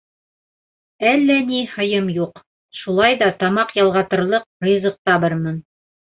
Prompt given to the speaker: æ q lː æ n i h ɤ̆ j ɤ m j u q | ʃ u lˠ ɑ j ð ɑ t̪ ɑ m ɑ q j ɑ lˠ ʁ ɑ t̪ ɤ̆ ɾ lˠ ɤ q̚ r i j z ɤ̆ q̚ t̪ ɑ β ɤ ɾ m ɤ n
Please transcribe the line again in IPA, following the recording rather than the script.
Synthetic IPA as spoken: æ lː æ n i h ɤ̆ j ɤ m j u q | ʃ u lˠ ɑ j ð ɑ t̪ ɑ m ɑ q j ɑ lˠ ʁ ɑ t̪ ɤ̆ ɾ lˠ ɤ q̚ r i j z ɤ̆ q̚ t̪ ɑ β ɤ ɾ m ɤ n